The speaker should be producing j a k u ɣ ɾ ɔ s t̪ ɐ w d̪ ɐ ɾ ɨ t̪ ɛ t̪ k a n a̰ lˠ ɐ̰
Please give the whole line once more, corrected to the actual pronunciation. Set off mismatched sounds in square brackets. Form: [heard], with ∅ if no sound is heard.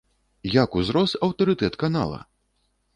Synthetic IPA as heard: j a k u [z] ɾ ɔ s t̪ ɐ w [t̪] ɐ ɾ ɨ t̪ ɛ t̪ k a n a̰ lˠ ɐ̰

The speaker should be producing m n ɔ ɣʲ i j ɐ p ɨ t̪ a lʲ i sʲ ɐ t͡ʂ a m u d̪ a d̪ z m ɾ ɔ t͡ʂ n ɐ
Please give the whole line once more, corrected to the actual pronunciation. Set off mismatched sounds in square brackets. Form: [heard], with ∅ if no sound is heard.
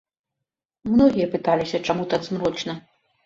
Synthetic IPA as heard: m n ɔ ɣʲ i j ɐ p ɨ t̪ a lʲ i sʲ ɐ t͡ʂ a m u [t̪] a d̪ z m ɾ ɔ t͡ʂ n ɐ

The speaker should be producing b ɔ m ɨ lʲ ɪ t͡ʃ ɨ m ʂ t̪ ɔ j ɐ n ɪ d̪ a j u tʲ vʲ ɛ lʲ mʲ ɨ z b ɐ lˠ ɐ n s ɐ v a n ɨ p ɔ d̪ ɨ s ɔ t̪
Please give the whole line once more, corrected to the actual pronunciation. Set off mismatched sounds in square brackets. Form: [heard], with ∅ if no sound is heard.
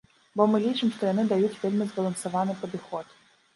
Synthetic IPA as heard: b ɔ m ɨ lʲ [i] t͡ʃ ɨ m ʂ t̪ ɔ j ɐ n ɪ d̪ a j u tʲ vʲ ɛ lʲ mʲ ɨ z b ɐ lˠ ɐ n s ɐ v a n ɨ p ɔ d̪ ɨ [x] ɔ t̪

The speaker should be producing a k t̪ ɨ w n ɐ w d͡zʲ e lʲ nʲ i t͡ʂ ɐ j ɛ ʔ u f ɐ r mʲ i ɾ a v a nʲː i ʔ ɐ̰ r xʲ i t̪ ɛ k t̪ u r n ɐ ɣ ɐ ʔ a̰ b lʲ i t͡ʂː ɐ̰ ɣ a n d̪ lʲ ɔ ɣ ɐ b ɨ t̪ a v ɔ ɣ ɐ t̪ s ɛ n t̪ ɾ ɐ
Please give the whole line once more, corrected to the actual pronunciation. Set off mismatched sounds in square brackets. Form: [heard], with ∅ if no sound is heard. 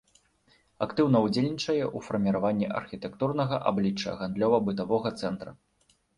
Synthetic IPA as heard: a k t̪ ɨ w n ɐ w d͡zʲ e lʲ nʲ i t͡ʂ ɐ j ɛ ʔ u f ɐ r mʲ i ɾ a v a nʲː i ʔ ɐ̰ r xʲ i t̪ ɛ k t̪ u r n ɐ ɣ ɐ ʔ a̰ b lʲ i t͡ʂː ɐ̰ ɣ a n d̪ lʲ ɔ [v] ɐ b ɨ t̪ a v ɔ ɣ ɐ t̪ s ɛ n t̪ ɾ ɐ

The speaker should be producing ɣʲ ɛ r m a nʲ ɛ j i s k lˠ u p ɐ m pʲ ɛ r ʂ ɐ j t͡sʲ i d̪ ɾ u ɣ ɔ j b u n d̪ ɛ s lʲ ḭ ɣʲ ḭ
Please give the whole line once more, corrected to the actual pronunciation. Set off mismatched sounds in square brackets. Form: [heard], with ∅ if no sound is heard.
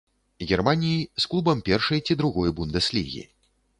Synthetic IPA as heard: ɣʲ ɛ r m a nʲ [i] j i s k lˠ u [b] ɐ m pʲ ɛ r ʂ ɐ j t͡sʲ i d̪ ɾ u ɣ ɔ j b u n d̪ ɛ s lʲ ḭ ɣʲ ḭ

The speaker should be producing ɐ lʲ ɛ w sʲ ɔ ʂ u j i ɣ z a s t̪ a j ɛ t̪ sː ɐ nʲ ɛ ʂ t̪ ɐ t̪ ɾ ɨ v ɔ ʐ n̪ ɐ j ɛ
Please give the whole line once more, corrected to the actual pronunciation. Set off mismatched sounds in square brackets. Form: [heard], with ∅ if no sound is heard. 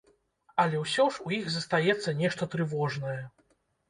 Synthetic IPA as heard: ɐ lʲ ɛ w sʲ ɔ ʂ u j i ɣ z [ɐ] s t̪ a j ɛ t̪ sː ɐ nʲ ɛ ʂ t̪ ɐ t̪ ɾ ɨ v ɔ ʐ n̪ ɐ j ɛ

